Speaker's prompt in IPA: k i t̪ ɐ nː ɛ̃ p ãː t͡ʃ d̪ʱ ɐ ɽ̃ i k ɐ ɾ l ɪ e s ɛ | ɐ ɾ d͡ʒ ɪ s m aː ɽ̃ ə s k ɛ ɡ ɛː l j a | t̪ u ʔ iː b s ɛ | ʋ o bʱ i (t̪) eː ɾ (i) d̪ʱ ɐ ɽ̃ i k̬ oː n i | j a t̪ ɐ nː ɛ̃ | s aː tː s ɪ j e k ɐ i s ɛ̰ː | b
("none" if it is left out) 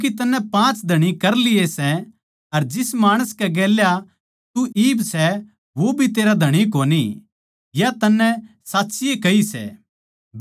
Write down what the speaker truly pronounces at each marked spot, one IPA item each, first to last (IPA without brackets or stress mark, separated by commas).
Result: t̪, a